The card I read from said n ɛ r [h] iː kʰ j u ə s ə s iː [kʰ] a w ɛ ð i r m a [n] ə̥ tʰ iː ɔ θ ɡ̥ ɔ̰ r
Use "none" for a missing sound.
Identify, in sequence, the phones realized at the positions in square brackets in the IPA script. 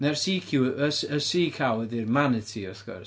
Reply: s, kʰ, n

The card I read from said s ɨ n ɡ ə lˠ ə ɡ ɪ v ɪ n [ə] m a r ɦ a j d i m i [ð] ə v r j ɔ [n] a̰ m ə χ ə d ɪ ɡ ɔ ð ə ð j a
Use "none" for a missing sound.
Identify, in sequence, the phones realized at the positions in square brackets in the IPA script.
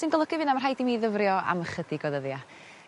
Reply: a, ð, none

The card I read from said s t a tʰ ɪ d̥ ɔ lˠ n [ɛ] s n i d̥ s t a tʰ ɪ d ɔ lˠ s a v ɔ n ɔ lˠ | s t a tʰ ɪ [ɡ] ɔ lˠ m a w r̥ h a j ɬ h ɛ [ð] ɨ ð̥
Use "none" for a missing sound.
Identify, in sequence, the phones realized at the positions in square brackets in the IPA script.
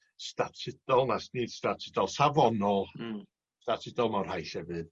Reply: a, d, v

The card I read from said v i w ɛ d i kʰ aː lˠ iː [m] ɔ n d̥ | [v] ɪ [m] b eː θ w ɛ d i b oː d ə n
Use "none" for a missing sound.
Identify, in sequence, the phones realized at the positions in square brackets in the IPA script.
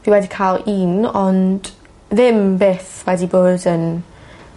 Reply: n, ð, m

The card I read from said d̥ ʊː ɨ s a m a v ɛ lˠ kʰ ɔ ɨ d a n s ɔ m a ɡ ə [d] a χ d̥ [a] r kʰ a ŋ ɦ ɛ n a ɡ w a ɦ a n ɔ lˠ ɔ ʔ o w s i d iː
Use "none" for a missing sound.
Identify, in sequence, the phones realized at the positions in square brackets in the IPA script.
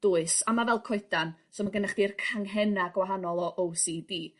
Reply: n, i

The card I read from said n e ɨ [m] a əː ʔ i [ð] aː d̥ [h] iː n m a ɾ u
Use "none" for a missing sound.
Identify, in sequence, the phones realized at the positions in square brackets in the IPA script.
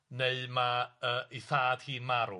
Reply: m, θ, h

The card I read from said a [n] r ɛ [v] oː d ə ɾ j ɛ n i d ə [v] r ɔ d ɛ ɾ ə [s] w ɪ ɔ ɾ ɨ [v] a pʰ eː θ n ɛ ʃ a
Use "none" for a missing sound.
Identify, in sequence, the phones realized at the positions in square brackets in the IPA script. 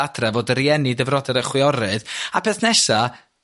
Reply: d, v, v, χ, ð

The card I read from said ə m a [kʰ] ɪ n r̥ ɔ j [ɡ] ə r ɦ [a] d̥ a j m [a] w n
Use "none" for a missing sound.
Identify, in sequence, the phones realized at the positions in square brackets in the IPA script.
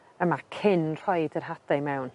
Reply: kʰ, d, a, ɛ

